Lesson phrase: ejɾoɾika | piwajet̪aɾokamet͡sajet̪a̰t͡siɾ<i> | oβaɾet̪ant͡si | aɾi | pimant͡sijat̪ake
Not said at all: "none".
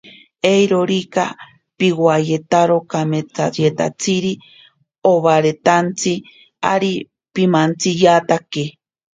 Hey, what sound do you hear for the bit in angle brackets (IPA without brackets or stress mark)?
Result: i